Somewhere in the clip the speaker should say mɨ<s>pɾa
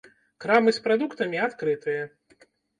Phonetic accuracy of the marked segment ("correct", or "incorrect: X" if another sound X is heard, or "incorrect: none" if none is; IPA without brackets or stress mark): correct